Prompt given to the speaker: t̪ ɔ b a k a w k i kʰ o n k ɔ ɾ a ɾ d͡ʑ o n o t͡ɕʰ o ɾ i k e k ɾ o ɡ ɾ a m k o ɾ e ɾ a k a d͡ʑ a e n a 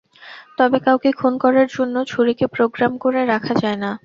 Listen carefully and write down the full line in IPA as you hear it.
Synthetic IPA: t̪ ɔ b e k a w k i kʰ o n k ɔ ɾ a ɾ d͡ʑ o nː o t͡ɕʰ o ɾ i k e p ɾ o ɡ ɾ a m k o ɾ e ɾ a kʰ a d͡ʑ a e n a